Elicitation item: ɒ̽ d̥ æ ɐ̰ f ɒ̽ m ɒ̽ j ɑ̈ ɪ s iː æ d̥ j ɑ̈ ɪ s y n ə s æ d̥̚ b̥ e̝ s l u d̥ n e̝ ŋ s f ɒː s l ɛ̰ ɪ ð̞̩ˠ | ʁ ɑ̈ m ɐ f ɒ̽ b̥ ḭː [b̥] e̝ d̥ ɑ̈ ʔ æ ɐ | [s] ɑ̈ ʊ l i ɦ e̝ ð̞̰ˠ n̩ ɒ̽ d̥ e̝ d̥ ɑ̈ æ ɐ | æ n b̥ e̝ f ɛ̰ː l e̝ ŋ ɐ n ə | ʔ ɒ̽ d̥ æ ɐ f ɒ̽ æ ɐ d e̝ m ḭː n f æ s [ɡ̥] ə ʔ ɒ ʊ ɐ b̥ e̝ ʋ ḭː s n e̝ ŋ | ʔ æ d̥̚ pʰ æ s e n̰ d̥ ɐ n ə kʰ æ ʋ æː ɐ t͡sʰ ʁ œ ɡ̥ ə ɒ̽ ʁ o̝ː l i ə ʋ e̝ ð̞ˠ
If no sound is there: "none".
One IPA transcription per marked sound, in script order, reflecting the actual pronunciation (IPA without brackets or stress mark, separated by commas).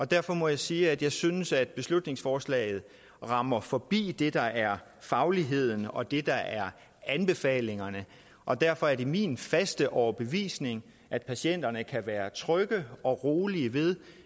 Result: d̥, f, d̥